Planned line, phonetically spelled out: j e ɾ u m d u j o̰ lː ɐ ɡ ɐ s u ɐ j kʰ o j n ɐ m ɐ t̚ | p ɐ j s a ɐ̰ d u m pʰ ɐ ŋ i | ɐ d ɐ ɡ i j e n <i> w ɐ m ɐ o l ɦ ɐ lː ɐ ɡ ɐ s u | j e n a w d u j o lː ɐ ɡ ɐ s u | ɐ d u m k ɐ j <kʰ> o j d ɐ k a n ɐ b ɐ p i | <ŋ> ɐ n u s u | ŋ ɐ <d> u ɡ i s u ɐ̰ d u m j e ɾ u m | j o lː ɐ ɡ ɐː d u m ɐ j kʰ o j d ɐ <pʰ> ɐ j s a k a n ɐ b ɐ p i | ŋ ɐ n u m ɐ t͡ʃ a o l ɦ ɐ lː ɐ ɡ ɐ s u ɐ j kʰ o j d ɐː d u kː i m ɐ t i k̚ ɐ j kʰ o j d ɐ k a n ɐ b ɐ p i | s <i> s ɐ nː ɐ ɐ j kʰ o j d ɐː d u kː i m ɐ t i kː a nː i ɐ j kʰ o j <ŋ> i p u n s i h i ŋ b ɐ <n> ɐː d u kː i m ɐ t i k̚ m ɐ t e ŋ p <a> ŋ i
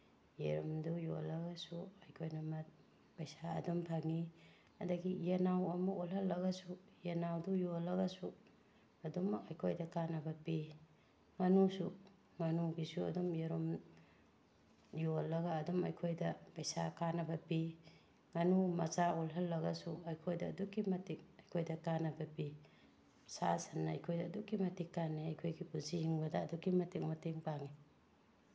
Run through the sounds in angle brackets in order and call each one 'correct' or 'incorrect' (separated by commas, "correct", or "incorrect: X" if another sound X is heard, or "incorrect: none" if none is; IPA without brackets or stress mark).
incorrect: a, correct, correct, incorrect: n, incorrect: p, incorrect: a, incorrect: ɡ, incorrect: d, correct